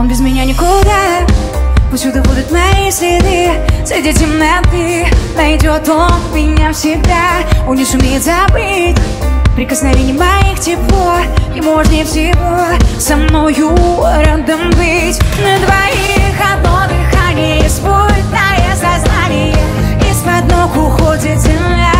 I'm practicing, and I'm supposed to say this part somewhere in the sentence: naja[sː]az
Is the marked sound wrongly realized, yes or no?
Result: yes